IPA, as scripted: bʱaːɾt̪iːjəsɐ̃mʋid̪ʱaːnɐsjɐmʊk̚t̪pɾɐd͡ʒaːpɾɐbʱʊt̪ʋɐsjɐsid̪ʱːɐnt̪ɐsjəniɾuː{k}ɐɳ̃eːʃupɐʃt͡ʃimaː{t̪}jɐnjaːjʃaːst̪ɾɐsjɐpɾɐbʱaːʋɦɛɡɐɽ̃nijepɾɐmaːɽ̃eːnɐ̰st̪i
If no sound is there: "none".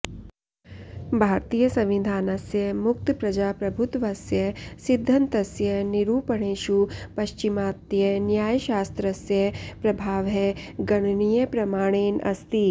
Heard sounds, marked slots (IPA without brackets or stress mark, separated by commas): p, t̪